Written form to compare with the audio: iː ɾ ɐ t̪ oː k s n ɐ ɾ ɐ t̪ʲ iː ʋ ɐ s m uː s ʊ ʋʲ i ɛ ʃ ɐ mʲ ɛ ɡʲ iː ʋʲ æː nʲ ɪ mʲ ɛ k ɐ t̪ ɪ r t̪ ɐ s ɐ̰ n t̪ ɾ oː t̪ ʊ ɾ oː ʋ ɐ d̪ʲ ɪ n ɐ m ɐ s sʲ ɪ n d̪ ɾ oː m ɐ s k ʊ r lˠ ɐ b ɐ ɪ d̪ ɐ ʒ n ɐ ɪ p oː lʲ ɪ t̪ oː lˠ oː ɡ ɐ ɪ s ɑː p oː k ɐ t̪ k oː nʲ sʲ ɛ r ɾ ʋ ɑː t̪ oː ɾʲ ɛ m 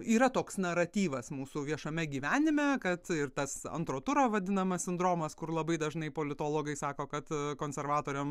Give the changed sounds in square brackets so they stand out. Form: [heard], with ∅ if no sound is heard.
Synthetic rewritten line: iː ɾ ɐ t̪ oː k s n ɐ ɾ ɐ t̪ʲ iː ʋ ɐ s m uː s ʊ ʋʲ i ɛ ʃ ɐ mʲ ɛ ɡʲ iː ʋʲ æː nʲ ɪ mʲ ɛ k ɐ t̪ ɪ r t̪ ɐ s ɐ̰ n t̪ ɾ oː t̪ ʊ ɾ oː ʋ ɐ d̪ʲ ɪ n ɐ m ɐ s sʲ ɪ n d̪ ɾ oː m ɐ s k ʊ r lˠ ɐ b ɐ ɪ d̪ ɐ ʒ n ɐ ɪ p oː lʲ ɪ t̪ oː lˠ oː ɡ ɐ ɪ s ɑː [k] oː k ɐ t̪ k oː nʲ sʲ ɛ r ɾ ʋ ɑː t̪ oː ɾʲ ɛ m